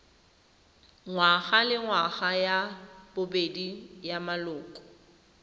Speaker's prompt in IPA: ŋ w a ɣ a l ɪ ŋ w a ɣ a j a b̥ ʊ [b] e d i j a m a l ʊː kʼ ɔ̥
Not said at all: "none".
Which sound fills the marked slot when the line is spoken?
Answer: b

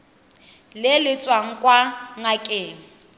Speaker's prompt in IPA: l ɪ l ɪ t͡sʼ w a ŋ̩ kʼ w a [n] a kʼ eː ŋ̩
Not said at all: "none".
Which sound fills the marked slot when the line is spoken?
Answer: ŋ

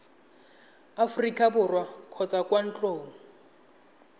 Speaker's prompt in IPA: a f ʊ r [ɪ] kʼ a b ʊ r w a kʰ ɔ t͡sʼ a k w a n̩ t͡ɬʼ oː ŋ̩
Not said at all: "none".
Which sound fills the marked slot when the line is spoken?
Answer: i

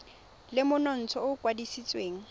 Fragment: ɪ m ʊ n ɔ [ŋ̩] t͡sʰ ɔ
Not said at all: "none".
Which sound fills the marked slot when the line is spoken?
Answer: n̩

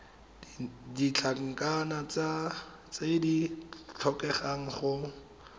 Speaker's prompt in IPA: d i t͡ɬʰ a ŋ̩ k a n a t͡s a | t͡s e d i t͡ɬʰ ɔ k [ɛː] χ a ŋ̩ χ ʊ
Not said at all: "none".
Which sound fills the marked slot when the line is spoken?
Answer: ɛ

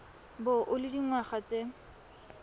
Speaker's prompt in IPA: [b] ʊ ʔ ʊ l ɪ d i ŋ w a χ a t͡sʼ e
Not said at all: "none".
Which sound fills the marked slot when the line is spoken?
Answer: b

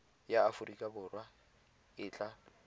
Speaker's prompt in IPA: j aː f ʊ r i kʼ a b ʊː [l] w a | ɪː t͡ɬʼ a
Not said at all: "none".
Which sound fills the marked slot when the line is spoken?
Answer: r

